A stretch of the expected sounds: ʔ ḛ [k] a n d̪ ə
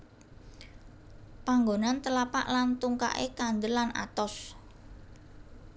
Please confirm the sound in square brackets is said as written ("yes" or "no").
yes